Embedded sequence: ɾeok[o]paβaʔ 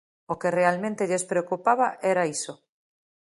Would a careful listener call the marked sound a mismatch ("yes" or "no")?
yes